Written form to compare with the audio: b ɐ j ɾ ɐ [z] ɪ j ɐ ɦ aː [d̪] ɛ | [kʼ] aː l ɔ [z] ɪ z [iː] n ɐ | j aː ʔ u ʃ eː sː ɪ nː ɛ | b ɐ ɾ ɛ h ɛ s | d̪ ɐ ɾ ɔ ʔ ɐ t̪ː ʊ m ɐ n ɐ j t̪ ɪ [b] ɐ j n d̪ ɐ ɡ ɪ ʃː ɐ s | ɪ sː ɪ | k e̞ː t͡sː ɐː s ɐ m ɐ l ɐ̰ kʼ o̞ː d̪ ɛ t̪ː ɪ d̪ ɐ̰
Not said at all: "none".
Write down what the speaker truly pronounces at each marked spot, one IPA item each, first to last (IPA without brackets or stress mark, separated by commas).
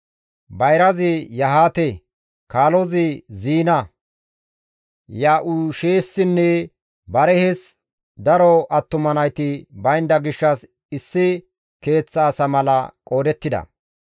z, t̪, k, z, iː, b